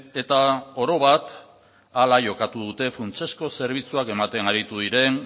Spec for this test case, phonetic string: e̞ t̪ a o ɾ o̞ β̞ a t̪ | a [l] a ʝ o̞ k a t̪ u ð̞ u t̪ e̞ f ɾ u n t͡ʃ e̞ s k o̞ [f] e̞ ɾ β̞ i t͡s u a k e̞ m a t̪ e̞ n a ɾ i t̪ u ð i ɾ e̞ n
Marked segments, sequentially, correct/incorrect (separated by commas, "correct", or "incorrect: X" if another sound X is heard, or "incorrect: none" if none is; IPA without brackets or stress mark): correct, incorrect: s